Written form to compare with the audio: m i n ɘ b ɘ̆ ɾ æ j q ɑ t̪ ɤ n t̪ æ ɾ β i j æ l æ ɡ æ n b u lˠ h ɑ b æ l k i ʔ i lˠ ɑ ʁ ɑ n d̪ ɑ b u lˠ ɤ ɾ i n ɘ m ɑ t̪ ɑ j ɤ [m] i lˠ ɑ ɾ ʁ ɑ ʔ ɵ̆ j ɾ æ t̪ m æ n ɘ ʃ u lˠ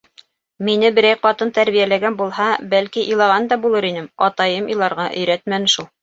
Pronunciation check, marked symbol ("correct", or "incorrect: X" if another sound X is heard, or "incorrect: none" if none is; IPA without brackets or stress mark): correct